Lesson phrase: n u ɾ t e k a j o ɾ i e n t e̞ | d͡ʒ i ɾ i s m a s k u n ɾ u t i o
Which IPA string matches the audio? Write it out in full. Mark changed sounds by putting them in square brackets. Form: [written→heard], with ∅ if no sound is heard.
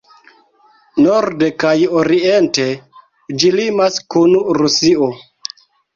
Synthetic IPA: n [u→o] ɾ [t→d] e k a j o ɾ i e n t e̞ | d͡ʒ i [ɾ→l] i [s→∅] m a s k u n ɾ u [t→s] i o